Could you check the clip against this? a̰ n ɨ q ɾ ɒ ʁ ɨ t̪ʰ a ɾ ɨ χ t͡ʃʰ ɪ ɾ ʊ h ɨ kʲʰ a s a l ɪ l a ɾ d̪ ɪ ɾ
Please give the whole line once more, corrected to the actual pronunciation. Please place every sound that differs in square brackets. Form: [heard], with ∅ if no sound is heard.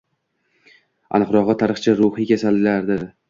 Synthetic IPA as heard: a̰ n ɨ q ɾ ɒ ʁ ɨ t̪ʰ a ɾ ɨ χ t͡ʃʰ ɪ ɾ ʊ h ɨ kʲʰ a s a l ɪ l a ɾ d̪ ɪ ɾ